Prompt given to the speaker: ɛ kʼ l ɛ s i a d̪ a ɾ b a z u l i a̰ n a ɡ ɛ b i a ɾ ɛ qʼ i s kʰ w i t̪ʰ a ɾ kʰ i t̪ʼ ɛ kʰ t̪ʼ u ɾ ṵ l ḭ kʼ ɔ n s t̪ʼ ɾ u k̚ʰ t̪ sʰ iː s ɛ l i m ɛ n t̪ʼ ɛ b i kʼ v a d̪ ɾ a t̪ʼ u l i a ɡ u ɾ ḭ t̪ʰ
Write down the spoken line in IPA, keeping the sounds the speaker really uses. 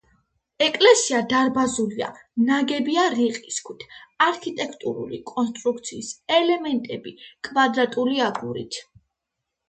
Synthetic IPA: ɛ kʼ l ɛ s i a d̪ a ɾ b a z u l i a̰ n a ɡ ɛ b i a ɾ i qʼ i s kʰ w i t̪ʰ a ɾ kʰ i t̪ʼ ɛ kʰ t̪ʼ u ɾ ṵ l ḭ kʼ ɔ n s t̪ʼ ɾ u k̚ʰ t̪ sʰ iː s ɛ l ɛ m ɛ n t̪ʼ ɛ b i kʼ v a d̪ ɾ a t̪ʼ u l i a ɡ u ɾ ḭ t̪ʰ